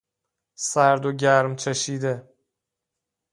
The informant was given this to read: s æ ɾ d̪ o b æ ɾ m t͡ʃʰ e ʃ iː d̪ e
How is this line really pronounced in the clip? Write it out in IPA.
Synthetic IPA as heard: s æ ɾ d̪ o ɟ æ ɾ m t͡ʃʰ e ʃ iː d̪ e